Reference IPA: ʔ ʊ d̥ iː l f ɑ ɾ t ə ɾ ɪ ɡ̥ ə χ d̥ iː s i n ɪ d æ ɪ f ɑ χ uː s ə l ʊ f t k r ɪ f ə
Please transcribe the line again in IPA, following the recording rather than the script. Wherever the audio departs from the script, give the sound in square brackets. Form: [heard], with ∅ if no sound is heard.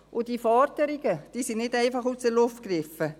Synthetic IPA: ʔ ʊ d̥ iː [∅] f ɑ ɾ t ə ɾ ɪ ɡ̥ ə [∅] d̥ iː s i n ɪ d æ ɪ f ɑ χ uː s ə l ʊ f t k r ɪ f ə